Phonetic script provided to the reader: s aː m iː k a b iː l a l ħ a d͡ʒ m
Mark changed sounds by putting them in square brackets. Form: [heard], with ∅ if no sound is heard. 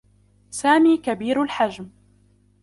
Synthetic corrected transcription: s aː m iː k a b iː [ɾ] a l ħ a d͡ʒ m

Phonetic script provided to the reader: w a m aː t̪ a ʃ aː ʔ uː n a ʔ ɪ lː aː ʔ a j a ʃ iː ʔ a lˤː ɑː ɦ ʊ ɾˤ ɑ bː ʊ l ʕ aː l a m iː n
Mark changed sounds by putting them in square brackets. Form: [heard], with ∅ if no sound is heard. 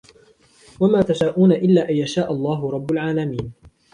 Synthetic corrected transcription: w a m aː t̪ a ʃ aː ʔ uː n a ʔ ɪ lː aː ʔ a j a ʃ [aː] ʔ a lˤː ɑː ɦ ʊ ɾˤ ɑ bː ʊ l ʕ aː l a m iː n

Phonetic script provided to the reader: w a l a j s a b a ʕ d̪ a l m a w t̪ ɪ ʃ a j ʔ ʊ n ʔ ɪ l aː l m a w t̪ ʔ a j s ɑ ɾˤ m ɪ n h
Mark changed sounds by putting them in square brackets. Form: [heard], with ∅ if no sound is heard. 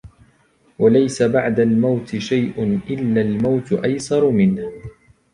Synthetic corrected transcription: w a l a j s a b a ʕ d̪ a l m a w t̪ ɪ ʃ a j ʔ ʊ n ʔ ɪ [lː] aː l m a w t̪ ʔ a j s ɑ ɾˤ m ɪ n h

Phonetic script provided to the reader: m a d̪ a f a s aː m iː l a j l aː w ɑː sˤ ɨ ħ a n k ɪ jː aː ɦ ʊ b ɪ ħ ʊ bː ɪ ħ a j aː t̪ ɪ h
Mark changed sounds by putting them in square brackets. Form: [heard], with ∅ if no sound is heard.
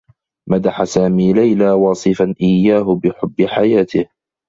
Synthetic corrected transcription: m a d̪ a [ħ] a s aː m iː l a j l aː w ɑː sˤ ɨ [f] a n [ʔ] ɪ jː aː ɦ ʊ b ɪ ħ ʊ bː ɪ ħ a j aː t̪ ɪ h

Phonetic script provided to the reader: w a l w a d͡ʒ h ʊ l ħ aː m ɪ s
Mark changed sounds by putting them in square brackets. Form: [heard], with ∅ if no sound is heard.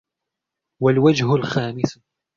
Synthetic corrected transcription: w a l w a d͡ʒ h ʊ l [x] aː m ɪ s

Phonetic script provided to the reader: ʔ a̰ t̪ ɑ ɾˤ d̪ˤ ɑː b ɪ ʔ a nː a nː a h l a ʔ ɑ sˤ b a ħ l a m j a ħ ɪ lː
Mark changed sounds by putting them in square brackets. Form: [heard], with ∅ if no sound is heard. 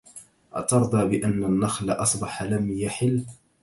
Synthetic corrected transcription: ʔ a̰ t̪ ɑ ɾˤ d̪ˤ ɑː b ɪ ʔ a nː a nː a [x] l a ʔ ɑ sˤ b [ɑ] ħ l a m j a ħ ɪ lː

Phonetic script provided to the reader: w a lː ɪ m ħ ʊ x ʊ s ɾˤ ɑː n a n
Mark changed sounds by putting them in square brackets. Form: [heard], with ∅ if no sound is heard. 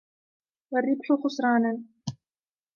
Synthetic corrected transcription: w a [rː] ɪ [b] ħ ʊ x ʊ s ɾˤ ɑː n a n

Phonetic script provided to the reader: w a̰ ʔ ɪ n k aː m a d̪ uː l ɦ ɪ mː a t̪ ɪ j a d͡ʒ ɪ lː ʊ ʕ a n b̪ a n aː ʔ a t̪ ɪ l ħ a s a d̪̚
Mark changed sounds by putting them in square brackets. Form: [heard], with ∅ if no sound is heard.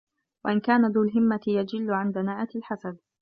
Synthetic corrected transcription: w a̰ ʔ ɪ n k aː [n] a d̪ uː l ɦ ɪ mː a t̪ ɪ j a d͡ʒ ɪ lː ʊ ʕ a n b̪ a n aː ʔ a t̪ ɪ l ħ a s a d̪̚

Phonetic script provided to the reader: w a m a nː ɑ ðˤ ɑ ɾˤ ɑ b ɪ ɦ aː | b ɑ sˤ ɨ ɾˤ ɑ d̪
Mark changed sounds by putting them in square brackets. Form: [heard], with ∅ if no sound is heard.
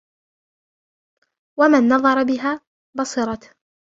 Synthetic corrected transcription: w a m a nː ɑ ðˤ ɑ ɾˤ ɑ b ɪ ɦ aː | b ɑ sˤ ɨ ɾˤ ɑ [t̪]

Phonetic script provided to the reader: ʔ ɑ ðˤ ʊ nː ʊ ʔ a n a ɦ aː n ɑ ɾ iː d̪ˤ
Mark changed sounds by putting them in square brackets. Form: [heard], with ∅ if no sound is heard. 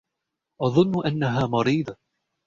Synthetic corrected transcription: ʔ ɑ ðˤ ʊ nː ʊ ʔ a [nː] a ɦ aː [m] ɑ ɾ iː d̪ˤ

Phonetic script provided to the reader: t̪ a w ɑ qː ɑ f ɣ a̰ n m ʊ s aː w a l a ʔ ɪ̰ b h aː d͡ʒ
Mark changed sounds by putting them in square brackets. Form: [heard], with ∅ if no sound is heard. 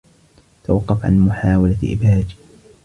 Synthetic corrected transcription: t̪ a w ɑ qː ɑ f [ʕ] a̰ n m ʊ [ħ] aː w a l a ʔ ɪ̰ b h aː d͡ʒ

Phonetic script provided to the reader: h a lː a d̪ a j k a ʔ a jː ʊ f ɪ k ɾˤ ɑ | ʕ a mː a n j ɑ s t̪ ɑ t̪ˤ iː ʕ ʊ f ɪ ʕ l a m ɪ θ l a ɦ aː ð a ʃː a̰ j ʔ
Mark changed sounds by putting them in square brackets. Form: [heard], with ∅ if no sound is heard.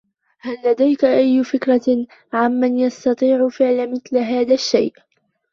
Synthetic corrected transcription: h a lː a d̪ a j k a ʔ a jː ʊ f ɪ k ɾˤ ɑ | ʕ a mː a n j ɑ s t̪ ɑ t̪ˤ iː ʕ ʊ f ɪ ʕ l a m ɪ θ l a ɦ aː ð a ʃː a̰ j ʔ

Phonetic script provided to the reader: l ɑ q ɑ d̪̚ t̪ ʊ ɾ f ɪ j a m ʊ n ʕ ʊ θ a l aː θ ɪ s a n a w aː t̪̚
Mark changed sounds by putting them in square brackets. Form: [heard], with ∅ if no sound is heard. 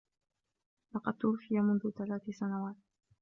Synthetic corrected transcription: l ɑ q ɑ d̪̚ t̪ ʊ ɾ f ɪ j a m ʊ n [ð] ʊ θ a l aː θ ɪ s a n a w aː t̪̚

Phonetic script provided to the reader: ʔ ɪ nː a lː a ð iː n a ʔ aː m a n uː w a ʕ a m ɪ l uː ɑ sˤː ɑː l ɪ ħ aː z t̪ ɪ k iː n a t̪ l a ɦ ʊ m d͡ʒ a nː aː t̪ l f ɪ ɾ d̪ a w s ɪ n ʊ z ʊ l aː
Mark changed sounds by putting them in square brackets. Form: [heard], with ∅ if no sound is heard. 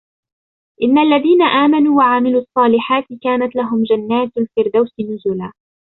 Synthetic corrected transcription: ʔ ɪ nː a lː a ð iː n a ʔ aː m a n uː w a ʕ a m ɪ l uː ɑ sˤː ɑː l ɪ ħ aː [∅] t̪ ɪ k [aː] n a t̪ l a ɦ ʊ m d͡ʒ a nː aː t̪ l f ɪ ɾ d̪ a w s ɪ n ʊ z ʊ l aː

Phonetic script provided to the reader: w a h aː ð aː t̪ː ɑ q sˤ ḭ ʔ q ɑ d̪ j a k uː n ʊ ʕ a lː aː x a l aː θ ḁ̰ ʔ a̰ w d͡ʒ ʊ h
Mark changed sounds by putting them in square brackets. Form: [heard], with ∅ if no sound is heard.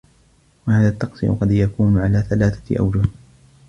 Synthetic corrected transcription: w a h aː ð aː t̪ː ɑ q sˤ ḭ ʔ q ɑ d̪ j a k uː n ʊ ʕ a [l] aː [θ] a l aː θ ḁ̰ ʔ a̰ w d͡ʒ ʊ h

